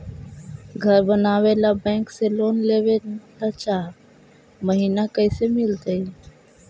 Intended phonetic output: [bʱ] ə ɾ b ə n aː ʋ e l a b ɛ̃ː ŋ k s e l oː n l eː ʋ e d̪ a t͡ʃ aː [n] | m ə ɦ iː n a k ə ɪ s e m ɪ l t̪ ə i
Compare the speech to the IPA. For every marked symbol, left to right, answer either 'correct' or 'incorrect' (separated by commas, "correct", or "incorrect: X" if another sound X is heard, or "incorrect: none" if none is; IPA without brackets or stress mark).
incorrect: ɡʱ, incorrect: none